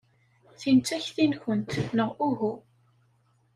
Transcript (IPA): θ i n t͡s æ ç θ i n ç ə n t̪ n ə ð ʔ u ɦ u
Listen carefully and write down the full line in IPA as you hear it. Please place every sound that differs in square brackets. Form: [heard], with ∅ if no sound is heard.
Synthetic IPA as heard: θ i n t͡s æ ç θ i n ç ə n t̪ n ə [ʁ] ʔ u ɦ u